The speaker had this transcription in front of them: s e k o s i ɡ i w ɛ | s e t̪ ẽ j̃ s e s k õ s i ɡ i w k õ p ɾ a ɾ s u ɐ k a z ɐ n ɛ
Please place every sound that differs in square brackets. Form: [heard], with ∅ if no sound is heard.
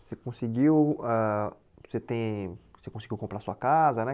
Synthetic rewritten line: s e k [õ] s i ɡ i w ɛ | s e t̪ ẽ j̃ s e [∅] k õ s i ɡ i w k õ p ɾ a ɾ s u ɐ k a z ɐ n ɛ

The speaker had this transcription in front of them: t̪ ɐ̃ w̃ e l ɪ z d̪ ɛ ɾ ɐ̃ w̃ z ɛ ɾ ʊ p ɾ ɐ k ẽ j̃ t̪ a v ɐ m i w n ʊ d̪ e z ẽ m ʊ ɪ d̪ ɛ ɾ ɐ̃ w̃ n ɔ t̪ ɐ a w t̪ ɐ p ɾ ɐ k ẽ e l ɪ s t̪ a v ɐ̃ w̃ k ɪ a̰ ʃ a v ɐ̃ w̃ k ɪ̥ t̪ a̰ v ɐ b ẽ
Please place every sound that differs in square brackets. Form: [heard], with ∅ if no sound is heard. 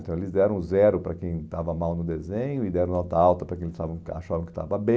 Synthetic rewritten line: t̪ ɐ̃ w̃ e l ɪ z d̪ ɛ ɾ ɐ̃ w̃ z ɛ ɾ ʊ p ɾ ɐ k ẽ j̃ t̪ a v ɐ m [a] w n ʊ d̪ e z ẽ [ɲ] ʊ ɪ d̪ ɛ ɾ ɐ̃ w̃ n ɔ t̪ ɐ a w t̪ ɐ p ɾ ɐ k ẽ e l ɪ s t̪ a v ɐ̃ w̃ k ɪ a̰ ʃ a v ɐ̃ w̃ k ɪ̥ t̪ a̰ v ɐ b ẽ

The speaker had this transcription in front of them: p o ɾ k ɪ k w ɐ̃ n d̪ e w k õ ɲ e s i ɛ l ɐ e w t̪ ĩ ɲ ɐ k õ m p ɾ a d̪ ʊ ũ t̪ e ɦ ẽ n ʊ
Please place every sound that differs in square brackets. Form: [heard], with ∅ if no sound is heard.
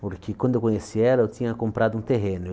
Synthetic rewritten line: p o ɾ k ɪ k w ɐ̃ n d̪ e w k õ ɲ e s i ɛ l ɐ e w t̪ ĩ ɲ ɐ k õ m p ɾ a d̪ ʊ ũ t̪ e ɦ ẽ n ʊ

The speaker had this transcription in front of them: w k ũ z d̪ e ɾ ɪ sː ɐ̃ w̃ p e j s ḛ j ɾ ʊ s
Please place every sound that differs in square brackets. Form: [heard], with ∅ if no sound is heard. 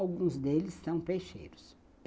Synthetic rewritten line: w [ɡ] ũ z d̪ e [l] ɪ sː ɐ̃ w̃ p e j [ʃ] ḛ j ɾ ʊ s

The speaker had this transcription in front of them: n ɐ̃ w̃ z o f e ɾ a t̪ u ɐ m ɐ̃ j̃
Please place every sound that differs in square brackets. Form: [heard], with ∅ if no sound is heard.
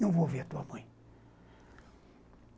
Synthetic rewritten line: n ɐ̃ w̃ [v] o [v] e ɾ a t̪ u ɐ m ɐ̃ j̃

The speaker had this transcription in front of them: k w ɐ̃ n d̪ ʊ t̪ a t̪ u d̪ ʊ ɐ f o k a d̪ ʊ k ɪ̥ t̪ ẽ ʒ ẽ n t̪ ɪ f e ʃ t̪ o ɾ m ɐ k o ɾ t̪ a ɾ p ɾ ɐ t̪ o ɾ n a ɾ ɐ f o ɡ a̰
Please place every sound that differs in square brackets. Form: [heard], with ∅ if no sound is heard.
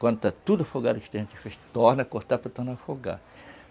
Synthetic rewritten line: k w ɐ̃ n d̪ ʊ t̪ a t̪ u d̪ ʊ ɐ f o [ɡ] a d̪ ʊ k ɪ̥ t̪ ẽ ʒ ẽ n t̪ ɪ f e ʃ t̪ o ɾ [n] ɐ k o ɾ t̪ a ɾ p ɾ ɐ t̪ o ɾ n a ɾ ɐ f o ɡ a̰

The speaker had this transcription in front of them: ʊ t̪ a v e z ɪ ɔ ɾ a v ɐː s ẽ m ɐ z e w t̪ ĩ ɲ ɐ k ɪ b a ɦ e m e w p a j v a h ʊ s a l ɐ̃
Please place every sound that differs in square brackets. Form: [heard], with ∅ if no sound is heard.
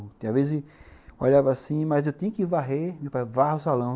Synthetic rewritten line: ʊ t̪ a v e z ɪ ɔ [ʎ] a v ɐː s [ĩ] m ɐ z e w t̪ ĩ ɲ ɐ k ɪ [v] a ɦ e m e w p a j v a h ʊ s a l ɐ̃

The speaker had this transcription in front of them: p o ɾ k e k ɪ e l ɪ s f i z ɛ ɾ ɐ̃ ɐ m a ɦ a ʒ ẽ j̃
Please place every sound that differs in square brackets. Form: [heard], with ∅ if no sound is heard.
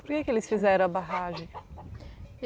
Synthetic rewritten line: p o ɾ k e k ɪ e l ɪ s f i z ɛ ɾ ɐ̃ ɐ [b] a ɦ a ʒ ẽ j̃

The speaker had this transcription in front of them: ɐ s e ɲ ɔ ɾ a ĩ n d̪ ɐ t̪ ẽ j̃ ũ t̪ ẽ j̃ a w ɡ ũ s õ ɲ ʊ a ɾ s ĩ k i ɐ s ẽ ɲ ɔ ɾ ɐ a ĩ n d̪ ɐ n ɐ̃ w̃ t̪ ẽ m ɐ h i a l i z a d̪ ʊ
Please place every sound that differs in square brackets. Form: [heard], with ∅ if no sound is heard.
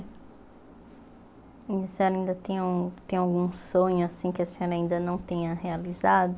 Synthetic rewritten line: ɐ s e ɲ ɔ ɾ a ĩ n d̪ ɐ t̪ ẽ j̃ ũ t̪ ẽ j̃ a w ɡ ũ s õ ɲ ʊ a [∅] s ĩ k [ɪ] ɐ s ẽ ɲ ɔ ɾ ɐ a ĩ n d̪ ɐ n ɐ̃ w̃ t̪ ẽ [ɲ] ɐ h [e] a l i z a d̪ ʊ

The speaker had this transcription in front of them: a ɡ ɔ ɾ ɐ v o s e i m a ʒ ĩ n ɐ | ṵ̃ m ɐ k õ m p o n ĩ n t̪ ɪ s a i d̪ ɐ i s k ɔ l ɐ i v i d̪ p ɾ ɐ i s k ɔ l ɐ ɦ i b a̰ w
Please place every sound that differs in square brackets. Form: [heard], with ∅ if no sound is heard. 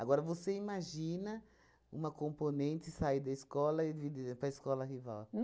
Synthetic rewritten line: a ɡ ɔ ɾ ɐ v o s e i m a ʒ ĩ n ɐ | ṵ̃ m ɐ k õ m p o n [ẽ] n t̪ ɪ s a i d̪ ɐ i s k ɔ l ɐ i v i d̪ p ɾ ɐ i s k ɔ l ɐ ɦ i [v] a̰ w

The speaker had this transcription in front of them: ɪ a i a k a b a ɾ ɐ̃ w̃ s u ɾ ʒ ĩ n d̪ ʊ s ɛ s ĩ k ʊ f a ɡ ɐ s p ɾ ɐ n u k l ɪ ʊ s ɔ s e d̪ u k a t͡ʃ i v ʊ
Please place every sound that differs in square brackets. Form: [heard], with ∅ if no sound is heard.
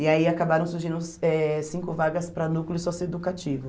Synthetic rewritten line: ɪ a i a k a b a ɾ ɐ̃ w̃ s u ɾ ʒ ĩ n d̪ ʊ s ɛ s ĩ k ʊ [v] a ɡ ɐ s p ɾ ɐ n u k l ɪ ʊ s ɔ s e d̪ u k a t͡ʃ i v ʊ

